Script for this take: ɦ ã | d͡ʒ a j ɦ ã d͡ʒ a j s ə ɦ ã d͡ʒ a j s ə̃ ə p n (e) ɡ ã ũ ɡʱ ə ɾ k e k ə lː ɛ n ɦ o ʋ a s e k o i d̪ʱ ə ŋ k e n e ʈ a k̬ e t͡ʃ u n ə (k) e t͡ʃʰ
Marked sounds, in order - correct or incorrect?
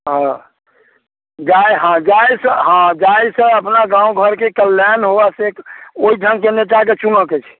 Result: incorrect, correct

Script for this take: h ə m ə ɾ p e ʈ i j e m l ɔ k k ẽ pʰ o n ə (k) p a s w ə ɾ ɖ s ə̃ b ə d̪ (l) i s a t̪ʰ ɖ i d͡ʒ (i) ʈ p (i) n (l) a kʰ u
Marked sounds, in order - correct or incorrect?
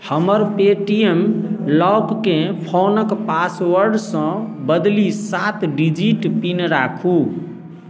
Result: correct, correct, correct, correct, incorrect

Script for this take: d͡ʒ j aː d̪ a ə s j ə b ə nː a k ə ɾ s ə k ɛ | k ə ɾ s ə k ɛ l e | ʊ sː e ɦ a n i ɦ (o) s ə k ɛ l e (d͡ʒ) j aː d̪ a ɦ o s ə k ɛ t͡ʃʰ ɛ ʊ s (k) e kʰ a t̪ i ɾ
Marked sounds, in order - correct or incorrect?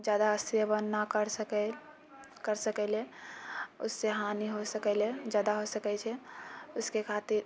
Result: correct, correct, correct

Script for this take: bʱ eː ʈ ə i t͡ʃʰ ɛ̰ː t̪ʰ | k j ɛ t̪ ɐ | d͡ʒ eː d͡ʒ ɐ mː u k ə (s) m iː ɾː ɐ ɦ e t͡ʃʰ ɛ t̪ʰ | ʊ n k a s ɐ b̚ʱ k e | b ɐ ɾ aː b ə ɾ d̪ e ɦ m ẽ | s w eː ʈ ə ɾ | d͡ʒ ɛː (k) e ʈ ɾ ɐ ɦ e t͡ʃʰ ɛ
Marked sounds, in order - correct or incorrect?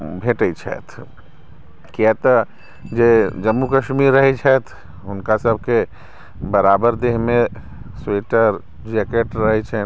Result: incorrect, correct

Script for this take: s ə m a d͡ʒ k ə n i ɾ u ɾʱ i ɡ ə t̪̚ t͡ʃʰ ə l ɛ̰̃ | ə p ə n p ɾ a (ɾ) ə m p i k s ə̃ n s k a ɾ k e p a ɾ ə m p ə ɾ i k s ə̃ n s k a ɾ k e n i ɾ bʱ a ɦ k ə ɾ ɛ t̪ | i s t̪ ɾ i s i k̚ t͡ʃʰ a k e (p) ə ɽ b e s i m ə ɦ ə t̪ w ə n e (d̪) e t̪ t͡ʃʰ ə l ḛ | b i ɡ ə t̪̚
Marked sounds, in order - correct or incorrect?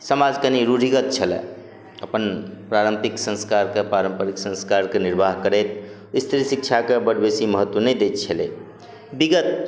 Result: correct, incorrect, correct

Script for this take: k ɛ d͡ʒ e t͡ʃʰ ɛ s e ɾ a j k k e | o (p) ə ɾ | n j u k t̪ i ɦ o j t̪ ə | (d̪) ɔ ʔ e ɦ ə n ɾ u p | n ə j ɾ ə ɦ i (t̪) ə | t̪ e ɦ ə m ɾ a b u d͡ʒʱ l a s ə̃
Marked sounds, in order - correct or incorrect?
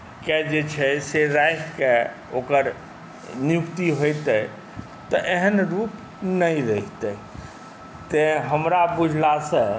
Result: incorrect, incorrect, correct

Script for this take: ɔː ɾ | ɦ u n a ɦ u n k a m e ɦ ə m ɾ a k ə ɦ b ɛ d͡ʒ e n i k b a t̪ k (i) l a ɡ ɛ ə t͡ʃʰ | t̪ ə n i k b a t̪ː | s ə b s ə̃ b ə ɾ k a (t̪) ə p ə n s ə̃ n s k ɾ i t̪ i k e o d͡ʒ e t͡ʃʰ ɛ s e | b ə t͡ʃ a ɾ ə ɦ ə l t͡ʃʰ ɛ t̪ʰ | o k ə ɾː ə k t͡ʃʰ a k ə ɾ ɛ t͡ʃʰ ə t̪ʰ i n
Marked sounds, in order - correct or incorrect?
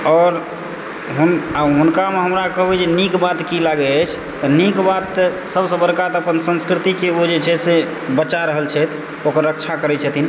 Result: correct, correct

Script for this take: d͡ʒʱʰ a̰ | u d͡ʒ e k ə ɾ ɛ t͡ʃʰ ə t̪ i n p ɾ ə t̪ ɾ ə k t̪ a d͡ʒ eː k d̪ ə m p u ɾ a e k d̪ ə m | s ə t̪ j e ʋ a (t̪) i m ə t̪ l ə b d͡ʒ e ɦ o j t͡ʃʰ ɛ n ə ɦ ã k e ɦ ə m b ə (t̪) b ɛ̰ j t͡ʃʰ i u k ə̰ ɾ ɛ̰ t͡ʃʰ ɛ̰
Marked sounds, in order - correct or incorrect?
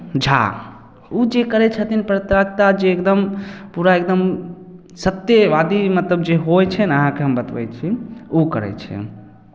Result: incorrect, correct

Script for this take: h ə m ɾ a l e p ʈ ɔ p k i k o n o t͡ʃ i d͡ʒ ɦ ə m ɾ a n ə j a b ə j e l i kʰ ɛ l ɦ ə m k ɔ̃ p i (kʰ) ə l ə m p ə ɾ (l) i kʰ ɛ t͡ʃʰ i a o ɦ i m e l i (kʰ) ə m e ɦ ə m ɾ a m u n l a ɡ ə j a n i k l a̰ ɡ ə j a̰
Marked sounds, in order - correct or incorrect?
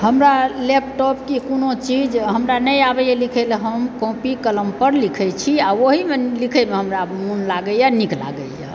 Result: incorrect, correct, correct

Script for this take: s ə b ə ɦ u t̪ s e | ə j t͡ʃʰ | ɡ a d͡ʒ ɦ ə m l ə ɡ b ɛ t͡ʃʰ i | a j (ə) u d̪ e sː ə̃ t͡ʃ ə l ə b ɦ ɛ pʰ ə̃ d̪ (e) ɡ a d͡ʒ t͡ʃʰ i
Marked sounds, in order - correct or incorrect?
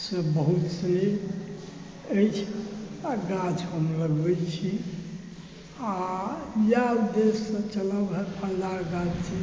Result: incorrect, incorrect

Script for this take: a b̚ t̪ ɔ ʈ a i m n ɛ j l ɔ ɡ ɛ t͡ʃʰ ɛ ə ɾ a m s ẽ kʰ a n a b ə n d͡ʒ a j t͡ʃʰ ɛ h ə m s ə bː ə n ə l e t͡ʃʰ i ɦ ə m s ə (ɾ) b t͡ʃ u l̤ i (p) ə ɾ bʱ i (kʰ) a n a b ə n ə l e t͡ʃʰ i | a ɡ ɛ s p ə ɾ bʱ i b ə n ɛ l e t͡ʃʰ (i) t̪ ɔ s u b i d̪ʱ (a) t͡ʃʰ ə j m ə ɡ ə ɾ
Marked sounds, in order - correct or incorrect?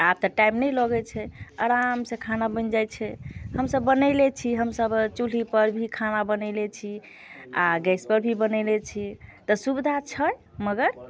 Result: incorrect, correct, correct, correct, correct

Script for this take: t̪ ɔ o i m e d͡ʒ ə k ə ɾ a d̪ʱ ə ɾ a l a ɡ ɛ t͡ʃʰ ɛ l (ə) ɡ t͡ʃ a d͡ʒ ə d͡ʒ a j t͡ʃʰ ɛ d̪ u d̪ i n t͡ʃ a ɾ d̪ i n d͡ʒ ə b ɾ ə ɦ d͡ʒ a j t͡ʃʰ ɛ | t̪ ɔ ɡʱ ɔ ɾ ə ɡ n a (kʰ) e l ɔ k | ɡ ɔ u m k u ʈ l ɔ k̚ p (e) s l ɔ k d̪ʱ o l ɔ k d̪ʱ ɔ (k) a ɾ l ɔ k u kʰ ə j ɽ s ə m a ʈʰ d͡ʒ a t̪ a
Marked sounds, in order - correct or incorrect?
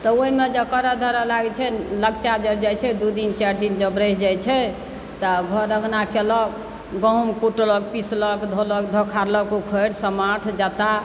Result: correct, incorrect, incorrect, incorrect

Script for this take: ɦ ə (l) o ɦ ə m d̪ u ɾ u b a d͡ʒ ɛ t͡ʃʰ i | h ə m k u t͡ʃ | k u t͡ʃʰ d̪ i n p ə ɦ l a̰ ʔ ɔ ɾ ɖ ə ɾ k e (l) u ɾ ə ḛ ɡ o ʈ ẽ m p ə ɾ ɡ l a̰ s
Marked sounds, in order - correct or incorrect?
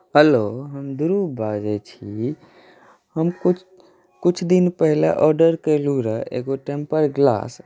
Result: correct, correct

